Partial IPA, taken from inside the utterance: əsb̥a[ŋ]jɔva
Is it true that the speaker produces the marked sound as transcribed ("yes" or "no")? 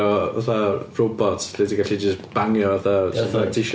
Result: yes